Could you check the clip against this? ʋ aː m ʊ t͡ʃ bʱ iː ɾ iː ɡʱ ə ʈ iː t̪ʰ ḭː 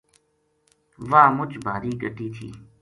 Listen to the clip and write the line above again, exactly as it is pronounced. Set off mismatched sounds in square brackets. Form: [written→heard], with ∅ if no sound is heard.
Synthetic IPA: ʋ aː m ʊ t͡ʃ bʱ [iː→aː] ɾ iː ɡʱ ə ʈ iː t̪ʰ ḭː